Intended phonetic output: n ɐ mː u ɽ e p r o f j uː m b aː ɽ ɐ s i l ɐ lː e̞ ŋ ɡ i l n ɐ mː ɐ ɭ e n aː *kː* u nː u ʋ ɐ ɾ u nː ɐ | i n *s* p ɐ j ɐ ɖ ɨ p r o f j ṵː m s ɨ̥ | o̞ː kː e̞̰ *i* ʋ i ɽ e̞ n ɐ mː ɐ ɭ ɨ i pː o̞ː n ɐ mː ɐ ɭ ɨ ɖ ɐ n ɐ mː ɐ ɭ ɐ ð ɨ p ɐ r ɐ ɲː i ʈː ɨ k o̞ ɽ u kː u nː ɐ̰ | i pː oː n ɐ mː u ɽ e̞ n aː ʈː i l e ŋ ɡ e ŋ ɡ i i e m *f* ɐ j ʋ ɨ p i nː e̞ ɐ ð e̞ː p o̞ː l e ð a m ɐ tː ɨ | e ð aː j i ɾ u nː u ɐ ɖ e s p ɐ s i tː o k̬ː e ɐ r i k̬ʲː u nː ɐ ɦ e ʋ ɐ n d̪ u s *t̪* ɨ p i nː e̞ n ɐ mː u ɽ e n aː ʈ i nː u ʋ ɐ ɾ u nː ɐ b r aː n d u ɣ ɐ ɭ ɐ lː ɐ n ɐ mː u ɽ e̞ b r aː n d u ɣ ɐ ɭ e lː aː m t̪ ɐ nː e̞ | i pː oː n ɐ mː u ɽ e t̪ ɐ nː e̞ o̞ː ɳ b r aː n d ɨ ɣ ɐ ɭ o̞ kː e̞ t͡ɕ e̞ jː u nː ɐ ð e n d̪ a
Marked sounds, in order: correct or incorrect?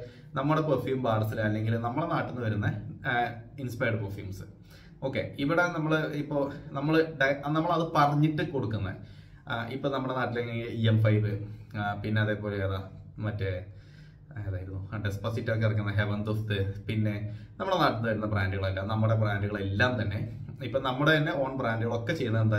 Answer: incorrect, correct, correct, correct, correct

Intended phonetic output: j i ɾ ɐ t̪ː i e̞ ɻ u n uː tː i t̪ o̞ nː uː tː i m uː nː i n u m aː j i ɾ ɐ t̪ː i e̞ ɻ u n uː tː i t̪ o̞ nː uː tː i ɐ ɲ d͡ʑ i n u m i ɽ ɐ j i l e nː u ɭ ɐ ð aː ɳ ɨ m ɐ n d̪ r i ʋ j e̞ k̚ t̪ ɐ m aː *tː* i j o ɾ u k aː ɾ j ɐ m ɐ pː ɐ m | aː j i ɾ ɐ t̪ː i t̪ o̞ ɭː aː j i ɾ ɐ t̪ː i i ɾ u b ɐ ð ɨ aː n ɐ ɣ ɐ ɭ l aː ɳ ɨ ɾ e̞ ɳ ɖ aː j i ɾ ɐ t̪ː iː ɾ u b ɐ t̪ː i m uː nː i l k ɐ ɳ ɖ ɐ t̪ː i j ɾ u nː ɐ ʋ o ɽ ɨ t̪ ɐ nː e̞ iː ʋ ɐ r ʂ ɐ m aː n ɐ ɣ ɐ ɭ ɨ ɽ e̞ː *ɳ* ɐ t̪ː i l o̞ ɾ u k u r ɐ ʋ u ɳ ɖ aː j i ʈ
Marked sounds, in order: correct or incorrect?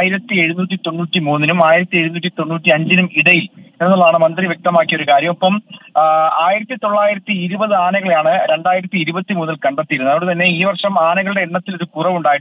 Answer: incorrect, incorrect

